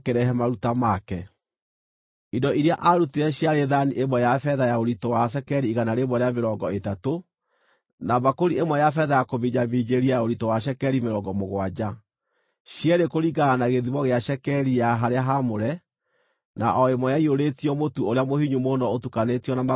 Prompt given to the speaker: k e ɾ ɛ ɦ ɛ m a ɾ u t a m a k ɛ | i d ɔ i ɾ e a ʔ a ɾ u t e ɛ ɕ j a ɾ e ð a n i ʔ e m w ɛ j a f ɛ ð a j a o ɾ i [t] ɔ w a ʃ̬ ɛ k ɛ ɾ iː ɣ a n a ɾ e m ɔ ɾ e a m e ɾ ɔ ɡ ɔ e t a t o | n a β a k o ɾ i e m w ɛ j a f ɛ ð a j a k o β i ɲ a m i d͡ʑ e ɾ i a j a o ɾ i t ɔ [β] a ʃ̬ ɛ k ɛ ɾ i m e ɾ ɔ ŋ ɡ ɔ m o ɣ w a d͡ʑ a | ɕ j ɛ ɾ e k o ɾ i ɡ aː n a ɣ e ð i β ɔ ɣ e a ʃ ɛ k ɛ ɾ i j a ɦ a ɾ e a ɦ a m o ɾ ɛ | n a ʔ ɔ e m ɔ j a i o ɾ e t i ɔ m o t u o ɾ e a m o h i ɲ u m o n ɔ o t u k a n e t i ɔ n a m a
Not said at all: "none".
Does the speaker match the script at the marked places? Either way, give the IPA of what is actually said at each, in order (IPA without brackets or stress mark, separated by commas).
t, w